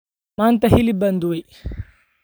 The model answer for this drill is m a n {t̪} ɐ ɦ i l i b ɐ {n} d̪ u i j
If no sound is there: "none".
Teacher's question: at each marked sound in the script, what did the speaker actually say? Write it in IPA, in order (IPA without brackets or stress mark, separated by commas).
t̪, n